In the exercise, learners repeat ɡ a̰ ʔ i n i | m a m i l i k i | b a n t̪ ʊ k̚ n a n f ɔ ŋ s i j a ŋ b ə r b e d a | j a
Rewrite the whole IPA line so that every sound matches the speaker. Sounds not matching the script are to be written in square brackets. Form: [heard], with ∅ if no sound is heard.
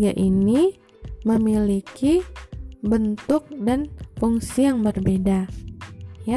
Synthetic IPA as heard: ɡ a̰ ʔ i n i | m [ə] m i l i k i | b [ə] n t̪ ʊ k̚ [d] a n f [u] ŋ s i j a ŋ b ə r b e d a | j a